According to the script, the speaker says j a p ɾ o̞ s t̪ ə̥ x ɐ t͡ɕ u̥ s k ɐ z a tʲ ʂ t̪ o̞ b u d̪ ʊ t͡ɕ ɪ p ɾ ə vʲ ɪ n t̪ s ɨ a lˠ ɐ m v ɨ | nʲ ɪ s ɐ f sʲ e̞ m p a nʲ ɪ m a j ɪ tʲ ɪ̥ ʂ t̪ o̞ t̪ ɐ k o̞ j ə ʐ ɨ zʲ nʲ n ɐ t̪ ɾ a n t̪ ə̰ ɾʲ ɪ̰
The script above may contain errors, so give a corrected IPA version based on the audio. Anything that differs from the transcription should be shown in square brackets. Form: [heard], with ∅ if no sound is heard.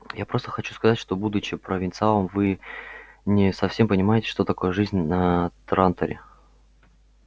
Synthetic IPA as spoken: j a p ɾ o̞ s t̪ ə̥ x ɐ t͡ɕ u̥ s k ɐ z a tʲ ʂ t̪ o̞ b u d̪ ʊ t͡ɕ ɪ p ɾ ə vʲ ɪ n t̪ s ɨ a lˠ [ə] m v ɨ | nʲ ɪ s ɐ f sʲ e̞ m p [ə] nʲ ɪ m a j ɪ tʲ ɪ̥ ʂ t̪ o̞ t̪ ɐ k o̞ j ə ʐ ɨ zʲ nʲ n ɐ t̪ ɾ a n t̪ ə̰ ɾʲ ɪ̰